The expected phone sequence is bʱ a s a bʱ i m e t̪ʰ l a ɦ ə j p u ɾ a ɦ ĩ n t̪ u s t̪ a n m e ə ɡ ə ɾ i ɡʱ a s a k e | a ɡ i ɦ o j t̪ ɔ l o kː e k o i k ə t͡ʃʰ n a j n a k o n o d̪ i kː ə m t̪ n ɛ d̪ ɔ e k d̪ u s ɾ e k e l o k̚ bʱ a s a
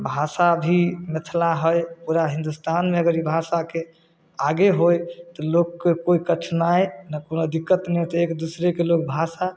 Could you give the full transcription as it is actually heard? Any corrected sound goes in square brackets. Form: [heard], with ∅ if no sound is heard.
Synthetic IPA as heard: bʱ a s a bʱ i m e t̪ʰ l a ɦ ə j p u ɾ a ɦ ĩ n [d̪] u s t̪ a n m e ə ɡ ə ɾ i [bʱ] a s a k e | a ɡ [e] ɦ o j t̪ ɔ l o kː e k o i k ə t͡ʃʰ n a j n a k o n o d̪ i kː ə [∅] t̪ n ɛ [t̪] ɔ e k d̪ u s ɾ e k e l o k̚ bʱ a s a